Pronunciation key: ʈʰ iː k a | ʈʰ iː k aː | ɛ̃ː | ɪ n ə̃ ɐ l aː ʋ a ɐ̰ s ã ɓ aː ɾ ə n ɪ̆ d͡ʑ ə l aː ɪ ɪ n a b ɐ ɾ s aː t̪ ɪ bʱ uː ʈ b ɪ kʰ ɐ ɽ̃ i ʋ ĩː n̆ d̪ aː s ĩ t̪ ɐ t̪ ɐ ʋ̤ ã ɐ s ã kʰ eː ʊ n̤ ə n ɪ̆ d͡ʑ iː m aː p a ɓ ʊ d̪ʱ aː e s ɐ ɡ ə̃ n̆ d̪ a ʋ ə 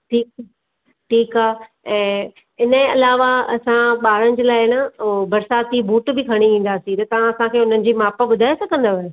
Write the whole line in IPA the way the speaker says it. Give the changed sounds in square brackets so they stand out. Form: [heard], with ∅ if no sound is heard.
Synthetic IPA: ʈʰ iː k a | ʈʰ iː k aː | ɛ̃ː | ɪ n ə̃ ɐ l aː ʋ a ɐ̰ s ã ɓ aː ɾ ə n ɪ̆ d͡ʑ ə l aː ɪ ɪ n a b ɐ ɾ s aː t̪ [i] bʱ uː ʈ b ɪ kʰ ɐ ɽ̃ i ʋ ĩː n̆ d̪ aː s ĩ t̪ ɐ t̪ ɐ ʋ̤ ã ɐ s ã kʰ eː ʊ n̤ ə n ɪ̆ d͡ʑ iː m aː p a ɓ ʊ d̪ʱ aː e s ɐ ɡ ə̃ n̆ d̪ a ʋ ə